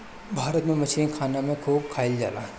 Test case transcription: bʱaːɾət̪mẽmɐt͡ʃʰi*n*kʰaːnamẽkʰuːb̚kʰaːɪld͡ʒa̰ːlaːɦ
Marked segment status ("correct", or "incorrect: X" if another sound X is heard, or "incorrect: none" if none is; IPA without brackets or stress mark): correct